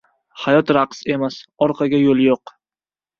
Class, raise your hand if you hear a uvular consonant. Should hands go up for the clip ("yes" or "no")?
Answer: yes